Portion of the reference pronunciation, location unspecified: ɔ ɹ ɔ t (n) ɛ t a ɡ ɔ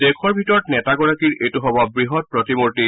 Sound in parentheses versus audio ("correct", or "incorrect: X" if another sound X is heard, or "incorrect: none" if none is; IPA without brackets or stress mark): correct